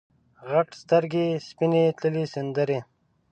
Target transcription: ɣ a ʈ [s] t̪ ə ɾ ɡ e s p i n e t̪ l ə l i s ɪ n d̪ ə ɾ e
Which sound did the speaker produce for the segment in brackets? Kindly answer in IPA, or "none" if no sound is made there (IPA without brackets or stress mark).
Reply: s